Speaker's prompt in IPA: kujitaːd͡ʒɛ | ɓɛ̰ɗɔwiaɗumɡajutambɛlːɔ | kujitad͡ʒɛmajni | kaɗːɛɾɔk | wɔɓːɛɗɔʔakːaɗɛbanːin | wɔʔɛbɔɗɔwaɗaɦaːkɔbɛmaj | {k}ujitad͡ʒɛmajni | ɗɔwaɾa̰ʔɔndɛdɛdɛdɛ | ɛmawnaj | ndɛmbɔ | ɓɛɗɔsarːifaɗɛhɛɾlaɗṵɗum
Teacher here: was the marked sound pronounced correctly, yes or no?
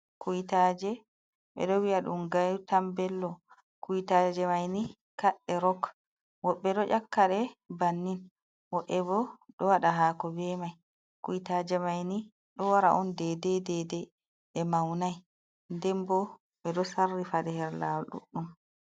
yes